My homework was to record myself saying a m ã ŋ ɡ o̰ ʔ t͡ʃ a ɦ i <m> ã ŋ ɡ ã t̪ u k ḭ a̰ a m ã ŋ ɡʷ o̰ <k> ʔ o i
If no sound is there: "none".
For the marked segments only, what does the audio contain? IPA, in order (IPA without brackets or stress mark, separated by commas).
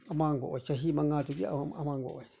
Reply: m, none